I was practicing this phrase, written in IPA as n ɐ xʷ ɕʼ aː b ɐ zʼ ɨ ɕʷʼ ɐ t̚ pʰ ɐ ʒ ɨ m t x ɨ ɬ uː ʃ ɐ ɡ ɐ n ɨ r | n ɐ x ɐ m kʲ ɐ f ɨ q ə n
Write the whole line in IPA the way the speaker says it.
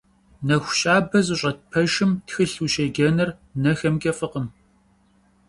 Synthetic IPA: n ɐ xʷ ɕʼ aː b ɐ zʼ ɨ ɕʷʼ ɐ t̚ pʰ ɐ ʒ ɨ m t x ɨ ɬ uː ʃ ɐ ɡ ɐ n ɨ r | n ɐ x ɐ m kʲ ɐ f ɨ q ə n